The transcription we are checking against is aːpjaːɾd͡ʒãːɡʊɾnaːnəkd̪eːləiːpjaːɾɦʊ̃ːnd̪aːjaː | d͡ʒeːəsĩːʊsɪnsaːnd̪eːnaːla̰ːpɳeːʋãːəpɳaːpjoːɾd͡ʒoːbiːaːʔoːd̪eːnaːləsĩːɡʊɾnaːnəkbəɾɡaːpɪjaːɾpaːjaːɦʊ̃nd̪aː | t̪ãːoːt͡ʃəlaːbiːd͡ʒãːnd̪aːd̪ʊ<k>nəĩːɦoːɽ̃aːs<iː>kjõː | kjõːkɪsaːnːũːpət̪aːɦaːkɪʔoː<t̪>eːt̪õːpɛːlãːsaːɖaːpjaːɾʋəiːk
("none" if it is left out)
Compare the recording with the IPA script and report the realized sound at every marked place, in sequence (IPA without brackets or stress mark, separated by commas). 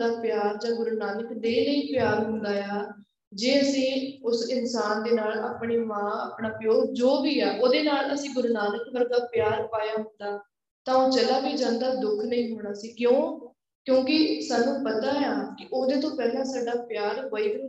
kʰ, iː, d̪